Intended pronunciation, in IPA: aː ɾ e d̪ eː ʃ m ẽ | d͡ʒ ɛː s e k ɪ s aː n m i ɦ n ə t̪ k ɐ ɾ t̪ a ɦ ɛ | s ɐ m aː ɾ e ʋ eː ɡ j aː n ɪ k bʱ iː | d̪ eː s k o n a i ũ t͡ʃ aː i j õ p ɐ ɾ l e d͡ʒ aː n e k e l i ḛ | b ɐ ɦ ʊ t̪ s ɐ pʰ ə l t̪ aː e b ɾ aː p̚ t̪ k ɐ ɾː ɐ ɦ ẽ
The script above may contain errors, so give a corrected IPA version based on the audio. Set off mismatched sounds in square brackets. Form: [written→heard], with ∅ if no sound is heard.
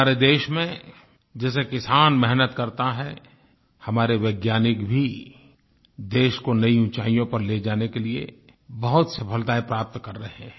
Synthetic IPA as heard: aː ɾ e d̪ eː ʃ m ẽ | d͡ʒ ɛː s e k ɪ s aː n m [i→ɛ] ɦ n ə t̪ k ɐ ɾ t̪ a ɦ ɛ | [s→h] ɐ m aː ɾ e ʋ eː ɡ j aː n ɪ k bʱ [iː→i] | d̪ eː [s→ʃ] k o n [a→ɐ] i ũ t͡ʃ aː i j õ p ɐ ɾ l e d͡ʒ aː n e k e l i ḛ | b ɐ ɦ ʊ t̪ s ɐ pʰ ə l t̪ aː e [b→p] ɾ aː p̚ t̪ k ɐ ɾː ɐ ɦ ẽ